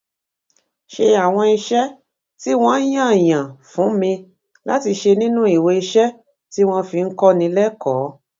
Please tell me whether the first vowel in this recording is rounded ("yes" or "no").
no